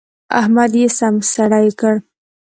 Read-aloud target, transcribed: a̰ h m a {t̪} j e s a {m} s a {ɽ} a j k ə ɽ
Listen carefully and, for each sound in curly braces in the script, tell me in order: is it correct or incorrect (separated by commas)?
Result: incorrect, correct, correct